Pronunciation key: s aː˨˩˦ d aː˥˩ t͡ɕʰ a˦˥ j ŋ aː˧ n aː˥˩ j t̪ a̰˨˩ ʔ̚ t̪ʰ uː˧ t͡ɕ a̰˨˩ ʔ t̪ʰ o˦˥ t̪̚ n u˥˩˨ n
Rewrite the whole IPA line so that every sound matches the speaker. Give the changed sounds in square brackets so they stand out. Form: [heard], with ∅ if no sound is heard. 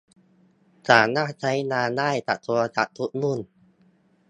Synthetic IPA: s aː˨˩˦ [n] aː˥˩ t͡ɕʰ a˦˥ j [n] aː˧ n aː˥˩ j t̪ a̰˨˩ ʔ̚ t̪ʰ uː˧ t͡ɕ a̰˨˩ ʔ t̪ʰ [u˦˥] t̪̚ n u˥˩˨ n